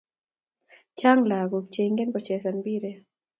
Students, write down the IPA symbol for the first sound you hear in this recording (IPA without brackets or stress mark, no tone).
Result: t͡ʃ